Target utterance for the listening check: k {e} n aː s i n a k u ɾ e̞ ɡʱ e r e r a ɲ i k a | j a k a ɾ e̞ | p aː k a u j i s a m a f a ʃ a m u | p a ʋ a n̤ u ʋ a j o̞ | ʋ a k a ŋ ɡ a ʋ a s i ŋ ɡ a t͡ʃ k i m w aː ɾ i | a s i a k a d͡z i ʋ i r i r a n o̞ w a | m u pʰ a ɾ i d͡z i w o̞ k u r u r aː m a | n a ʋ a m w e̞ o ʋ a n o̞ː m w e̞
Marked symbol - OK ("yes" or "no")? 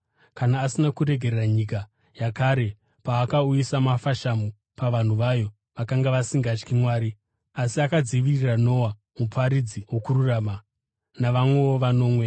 no